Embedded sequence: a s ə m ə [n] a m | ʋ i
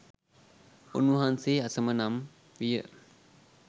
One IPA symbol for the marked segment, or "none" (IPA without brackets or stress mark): n